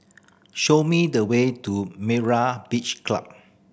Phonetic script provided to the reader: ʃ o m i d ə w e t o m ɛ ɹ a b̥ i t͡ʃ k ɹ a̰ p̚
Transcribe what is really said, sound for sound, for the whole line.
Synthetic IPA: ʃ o m i d ə w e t u m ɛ ɹ a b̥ i t͡ʃ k l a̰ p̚